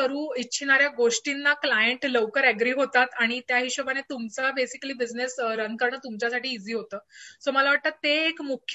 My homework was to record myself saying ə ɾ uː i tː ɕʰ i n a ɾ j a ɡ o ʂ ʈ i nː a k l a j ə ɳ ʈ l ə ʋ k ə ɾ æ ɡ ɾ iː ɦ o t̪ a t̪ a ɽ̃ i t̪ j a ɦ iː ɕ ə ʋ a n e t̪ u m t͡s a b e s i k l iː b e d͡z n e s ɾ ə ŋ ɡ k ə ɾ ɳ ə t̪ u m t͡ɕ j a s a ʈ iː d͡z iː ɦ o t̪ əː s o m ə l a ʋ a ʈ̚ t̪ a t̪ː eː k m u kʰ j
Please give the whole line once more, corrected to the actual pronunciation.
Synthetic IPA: ə ɾ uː i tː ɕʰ i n a ɾ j a ɡ o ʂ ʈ i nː a k l a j ə ɳ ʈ l ə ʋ k ə ɾ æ ɡ ɾ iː ɦ o t̪ a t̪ a ɽ̃ i t̪ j a ɦ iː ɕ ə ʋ a n e t̪ u m t͡s a b e s i k l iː b i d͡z n e s ɾ ə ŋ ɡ k ə ɾ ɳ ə t̪ u m t͡ɕ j a s a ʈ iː d͡z iː ɦ o t̪ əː s o m ə l a ʋ a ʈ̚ t̪ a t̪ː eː k m u kʰ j